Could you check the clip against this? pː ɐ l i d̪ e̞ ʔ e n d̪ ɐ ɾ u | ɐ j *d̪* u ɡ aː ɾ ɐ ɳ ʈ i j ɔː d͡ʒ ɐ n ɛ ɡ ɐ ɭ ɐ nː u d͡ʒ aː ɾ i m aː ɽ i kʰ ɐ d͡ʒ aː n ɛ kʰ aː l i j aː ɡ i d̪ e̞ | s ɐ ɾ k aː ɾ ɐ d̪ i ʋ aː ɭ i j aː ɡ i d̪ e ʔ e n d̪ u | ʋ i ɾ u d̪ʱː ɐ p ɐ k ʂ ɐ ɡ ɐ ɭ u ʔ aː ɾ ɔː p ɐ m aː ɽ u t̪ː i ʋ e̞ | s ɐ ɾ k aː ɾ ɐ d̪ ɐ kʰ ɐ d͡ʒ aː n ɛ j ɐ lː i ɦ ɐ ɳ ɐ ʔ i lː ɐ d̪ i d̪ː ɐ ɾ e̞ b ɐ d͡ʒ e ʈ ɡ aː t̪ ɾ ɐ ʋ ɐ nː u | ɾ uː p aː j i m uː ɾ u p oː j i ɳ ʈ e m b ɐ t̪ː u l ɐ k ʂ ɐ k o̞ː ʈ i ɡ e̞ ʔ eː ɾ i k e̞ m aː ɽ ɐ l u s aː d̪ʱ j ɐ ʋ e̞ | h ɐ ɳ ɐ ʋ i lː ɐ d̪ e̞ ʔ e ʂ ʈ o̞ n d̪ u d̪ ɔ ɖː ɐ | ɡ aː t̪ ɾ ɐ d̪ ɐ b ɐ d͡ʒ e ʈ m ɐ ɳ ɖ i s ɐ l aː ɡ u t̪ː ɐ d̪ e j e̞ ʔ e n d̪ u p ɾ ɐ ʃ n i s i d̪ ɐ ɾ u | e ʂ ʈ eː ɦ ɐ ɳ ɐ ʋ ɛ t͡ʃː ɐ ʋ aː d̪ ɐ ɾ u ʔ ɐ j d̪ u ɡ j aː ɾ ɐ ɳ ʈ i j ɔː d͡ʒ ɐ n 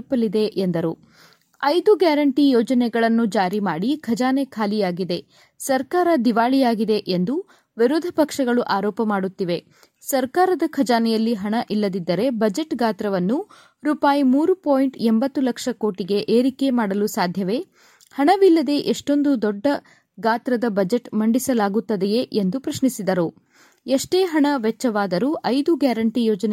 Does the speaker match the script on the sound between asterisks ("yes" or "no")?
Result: yes